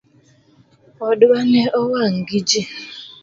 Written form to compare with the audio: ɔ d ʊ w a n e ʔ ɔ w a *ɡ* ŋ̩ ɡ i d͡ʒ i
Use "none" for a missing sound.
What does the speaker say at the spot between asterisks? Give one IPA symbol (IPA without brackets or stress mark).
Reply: none